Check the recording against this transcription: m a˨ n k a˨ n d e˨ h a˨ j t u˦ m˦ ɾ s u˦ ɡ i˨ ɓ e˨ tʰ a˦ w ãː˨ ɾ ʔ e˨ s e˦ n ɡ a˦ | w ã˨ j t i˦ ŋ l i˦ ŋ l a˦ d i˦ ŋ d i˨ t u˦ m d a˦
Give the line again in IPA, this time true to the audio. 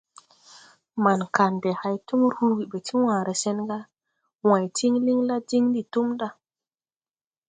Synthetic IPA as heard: m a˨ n k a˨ n d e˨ h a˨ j t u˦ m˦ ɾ h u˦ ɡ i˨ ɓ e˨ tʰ i˦ w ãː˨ ɾ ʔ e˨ s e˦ n ɡ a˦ | w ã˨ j t i˦ ŋ l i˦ ŋ l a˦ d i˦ ŋ d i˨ t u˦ m d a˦